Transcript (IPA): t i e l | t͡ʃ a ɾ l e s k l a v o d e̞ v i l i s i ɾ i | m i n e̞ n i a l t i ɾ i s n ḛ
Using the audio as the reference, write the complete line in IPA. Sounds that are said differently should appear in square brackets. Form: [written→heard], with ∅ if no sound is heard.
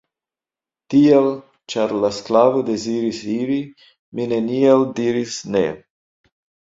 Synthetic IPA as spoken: t i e l | t͡ʃ a ɾ l [e→a] s k l a v o d e̞ [v→z] i [l→ɾ] i s i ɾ i | m i n e̞ n i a l [t→d] i ɾ i s n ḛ